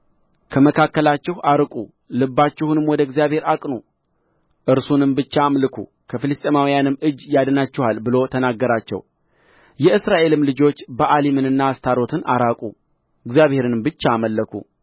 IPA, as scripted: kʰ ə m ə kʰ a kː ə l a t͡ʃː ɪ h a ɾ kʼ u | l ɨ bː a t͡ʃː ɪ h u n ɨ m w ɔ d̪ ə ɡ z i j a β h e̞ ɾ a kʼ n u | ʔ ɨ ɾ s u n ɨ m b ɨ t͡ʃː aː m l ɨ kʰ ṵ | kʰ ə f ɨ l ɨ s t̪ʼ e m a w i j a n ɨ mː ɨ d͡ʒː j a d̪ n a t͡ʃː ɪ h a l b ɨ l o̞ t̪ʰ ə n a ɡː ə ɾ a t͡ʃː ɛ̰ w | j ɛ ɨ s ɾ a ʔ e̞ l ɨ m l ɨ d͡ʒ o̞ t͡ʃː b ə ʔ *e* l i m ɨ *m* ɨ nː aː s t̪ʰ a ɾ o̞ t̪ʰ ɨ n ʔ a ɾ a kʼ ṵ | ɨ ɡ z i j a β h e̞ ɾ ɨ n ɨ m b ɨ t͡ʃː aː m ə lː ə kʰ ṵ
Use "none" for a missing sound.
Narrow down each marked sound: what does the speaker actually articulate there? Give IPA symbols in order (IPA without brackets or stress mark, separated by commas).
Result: a, n